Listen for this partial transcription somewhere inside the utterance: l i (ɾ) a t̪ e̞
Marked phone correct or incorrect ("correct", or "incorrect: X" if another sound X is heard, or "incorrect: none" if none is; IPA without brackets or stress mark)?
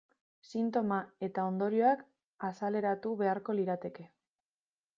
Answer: correct